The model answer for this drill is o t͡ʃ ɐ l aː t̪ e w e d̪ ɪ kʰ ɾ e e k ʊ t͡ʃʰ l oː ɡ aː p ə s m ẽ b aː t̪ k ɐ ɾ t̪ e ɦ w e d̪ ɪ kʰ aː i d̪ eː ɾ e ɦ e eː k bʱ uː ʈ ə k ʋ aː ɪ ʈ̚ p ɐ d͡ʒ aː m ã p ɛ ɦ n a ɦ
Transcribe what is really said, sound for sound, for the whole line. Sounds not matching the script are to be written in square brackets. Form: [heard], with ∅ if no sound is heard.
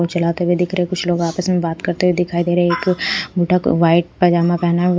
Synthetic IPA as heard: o t͡ʃ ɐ l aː t̪ e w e d̪ ɪ kʰ ɾ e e k ʊ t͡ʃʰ l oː ɡ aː p ə s m ẽ b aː t̪ k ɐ ɾ t̪ e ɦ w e d̪ ɪ kʰ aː i d̪ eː ɾ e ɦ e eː k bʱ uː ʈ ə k ʋ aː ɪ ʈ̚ p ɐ d͡ʒ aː m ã p ɛ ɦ n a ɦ